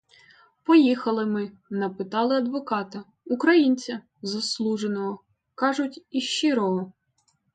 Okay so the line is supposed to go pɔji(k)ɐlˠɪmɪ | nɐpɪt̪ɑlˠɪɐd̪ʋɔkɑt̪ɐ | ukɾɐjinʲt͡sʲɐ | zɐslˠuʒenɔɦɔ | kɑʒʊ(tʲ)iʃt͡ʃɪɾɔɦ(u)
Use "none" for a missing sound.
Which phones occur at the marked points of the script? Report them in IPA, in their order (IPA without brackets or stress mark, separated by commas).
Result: x, tʲ, ɔ